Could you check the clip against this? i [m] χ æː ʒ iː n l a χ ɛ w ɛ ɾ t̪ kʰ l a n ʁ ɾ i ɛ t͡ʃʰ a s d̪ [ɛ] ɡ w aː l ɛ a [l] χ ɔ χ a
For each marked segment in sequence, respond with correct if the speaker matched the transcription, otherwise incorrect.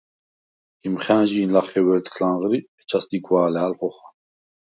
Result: correct, incorrect, correct

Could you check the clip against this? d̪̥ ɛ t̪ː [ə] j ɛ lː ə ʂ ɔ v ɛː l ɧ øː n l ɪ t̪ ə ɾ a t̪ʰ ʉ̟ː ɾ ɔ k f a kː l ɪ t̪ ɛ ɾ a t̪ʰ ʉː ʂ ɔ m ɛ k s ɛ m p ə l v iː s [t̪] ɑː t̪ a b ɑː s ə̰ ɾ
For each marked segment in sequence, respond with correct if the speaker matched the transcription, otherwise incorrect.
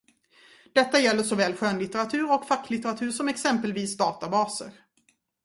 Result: incorrect, incorrect

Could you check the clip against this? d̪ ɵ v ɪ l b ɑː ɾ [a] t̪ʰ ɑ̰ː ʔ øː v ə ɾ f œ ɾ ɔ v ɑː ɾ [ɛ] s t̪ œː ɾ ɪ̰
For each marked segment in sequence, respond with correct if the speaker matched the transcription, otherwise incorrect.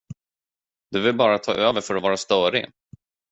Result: correct, incorrect

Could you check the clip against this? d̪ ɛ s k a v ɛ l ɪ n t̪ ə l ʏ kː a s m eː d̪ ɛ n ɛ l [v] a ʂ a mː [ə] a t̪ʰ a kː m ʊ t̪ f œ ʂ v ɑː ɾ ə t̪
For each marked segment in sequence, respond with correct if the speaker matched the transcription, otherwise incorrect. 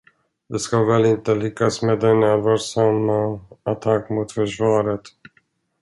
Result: correct, incorrect

